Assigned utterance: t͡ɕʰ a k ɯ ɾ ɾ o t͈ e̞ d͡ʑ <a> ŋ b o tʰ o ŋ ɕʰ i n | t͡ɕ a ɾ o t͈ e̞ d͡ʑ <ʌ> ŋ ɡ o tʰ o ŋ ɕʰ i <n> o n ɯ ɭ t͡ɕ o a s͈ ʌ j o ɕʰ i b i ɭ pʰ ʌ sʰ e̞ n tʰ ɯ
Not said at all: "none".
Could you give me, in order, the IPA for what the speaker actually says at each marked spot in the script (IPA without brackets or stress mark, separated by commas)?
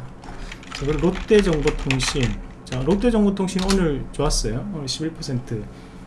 ʌ, ʌ, n